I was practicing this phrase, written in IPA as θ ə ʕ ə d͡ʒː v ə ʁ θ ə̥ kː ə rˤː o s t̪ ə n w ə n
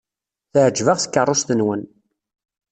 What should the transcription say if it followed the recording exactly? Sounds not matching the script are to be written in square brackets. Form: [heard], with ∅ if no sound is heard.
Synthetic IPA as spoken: θ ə ʕ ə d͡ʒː v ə ʁ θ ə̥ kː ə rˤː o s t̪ ə n w ə n